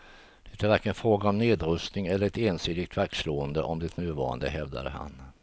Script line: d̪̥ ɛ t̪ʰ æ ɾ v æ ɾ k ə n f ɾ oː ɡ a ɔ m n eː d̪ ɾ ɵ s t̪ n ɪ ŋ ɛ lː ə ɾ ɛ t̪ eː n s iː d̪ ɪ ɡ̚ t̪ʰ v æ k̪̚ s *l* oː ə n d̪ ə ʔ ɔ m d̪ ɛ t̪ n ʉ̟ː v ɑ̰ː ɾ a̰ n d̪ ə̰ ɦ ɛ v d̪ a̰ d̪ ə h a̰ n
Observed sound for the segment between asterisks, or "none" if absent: l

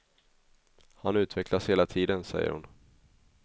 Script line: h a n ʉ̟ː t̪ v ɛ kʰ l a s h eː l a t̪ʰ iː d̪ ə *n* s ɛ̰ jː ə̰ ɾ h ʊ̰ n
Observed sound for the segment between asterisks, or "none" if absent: n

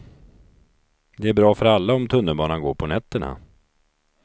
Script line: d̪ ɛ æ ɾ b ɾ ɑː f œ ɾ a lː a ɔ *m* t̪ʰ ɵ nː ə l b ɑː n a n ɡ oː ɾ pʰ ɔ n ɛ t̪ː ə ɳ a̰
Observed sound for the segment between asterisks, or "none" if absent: m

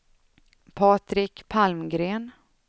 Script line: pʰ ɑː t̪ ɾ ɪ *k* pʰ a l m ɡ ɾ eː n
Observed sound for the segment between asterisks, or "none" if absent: k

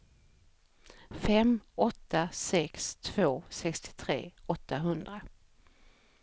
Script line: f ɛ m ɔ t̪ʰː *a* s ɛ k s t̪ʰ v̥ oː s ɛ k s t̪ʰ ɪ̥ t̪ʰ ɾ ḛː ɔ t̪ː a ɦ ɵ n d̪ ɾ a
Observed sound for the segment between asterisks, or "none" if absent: a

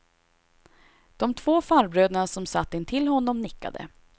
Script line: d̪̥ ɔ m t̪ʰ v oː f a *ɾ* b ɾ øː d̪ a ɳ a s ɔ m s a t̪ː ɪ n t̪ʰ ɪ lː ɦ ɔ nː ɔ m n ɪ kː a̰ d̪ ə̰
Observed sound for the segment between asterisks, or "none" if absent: ɾ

